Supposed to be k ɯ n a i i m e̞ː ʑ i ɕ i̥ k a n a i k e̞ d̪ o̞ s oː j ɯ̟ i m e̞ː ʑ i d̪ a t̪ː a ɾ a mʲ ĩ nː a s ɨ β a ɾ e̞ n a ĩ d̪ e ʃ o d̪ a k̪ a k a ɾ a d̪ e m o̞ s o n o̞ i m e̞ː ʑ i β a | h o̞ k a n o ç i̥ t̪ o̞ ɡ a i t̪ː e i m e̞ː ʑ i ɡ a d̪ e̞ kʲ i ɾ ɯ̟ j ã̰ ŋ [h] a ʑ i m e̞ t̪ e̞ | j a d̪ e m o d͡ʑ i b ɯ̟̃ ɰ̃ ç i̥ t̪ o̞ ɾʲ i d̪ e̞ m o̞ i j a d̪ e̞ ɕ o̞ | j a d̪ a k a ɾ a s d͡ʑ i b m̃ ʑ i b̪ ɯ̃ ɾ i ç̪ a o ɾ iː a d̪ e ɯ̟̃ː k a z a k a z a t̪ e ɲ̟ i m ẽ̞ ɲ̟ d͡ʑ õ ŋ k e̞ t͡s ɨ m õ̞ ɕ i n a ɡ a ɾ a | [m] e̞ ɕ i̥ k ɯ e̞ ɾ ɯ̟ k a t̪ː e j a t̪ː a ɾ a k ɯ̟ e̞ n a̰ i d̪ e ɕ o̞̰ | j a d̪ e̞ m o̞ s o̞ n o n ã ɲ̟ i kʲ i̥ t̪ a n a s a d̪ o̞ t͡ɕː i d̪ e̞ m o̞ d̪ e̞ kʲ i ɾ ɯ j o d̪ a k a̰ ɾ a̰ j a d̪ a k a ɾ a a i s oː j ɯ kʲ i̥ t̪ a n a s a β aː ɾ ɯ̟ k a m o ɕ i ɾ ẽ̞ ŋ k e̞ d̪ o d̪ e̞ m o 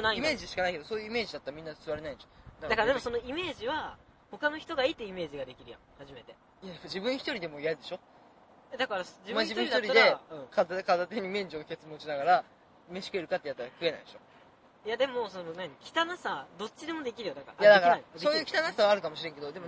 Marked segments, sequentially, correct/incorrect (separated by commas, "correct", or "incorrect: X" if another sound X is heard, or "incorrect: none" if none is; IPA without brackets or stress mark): correct, correct